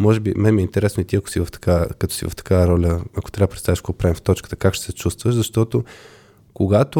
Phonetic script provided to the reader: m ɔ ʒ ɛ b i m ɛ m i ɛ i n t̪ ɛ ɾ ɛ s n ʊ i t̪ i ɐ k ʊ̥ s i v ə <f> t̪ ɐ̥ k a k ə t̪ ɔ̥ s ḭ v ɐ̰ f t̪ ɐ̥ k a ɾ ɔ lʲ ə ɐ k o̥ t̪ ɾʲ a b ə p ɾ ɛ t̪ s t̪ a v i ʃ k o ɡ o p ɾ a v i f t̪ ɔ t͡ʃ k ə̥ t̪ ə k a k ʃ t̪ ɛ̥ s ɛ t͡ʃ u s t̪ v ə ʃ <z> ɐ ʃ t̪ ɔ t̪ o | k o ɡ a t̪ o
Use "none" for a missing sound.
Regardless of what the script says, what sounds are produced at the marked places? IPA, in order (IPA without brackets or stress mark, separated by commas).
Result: f, z